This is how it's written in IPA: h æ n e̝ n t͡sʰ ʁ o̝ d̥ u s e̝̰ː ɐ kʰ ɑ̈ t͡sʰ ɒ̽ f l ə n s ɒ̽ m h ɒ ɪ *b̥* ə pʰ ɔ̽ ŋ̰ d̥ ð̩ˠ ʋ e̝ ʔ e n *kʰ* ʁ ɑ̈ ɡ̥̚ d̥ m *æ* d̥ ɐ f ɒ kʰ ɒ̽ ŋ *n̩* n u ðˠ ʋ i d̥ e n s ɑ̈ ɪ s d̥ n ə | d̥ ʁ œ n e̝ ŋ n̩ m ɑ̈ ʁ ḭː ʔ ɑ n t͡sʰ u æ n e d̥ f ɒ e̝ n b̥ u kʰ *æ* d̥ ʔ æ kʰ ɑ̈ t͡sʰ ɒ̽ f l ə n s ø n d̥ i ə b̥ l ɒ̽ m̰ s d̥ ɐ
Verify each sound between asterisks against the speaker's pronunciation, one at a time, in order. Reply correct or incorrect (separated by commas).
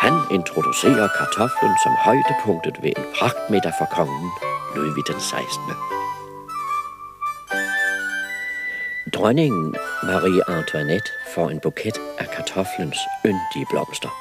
incorrect, incorrect, incorrect, correct, incorrect